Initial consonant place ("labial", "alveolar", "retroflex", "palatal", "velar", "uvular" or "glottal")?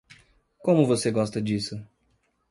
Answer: velar